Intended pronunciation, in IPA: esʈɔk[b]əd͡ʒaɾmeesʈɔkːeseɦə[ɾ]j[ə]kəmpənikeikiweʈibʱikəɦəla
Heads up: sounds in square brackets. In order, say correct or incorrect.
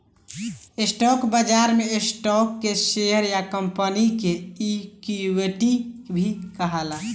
correct, correct, incorrect: a

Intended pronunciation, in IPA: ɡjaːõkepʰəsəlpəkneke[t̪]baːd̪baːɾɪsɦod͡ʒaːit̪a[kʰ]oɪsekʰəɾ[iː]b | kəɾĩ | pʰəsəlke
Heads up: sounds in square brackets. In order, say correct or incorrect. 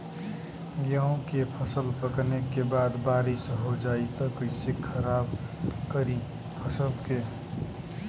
incorrect: none, incorrect: k, incorrect: aː

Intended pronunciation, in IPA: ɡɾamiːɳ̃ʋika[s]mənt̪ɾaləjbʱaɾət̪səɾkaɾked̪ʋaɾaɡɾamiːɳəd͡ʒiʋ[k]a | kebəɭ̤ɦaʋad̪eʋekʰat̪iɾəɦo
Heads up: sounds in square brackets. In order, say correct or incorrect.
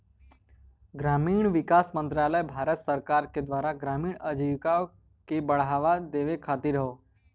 correct, correct

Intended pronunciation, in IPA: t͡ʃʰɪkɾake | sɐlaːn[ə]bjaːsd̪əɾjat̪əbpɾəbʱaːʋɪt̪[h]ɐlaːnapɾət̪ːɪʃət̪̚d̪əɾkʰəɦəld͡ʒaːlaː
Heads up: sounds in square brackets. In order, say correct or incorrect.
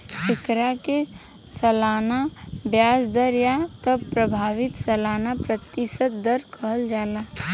incorrect: a, incorrect: s

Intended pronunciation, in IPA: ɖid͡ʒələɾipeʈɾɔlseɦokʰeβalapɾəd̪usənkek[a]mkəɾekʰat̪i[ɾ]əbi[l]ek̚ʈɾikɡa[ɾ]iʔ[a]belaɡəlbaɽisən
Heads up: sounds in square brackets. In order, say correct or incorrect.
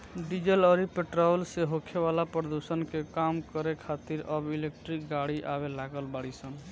correct, correct, correct, incorrect: ɽ, correct

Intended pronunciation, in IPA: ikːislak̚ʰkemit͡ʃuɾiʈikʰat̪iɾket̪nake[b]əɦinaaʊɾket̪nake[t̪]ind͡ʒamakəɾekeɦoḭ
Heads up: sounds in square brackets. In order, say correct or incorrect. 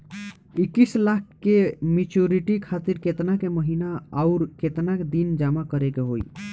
incorrect: m, incorrect: d̪

